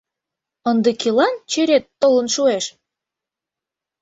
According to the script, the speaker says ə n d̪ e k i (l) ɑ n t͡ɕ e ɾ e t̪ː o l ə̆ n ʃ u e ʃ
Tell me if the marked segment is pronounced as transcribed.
yes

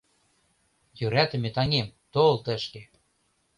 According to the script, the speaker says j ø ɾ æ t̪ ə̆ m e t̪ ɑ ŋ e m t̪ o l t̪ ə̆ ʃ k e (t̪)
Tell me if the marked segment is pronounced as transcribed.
no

